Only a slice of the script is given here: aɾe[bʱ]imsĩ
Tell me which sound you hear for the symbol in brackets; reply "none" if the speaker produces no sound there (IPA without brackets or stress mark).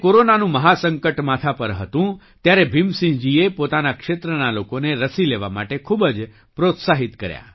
bʱ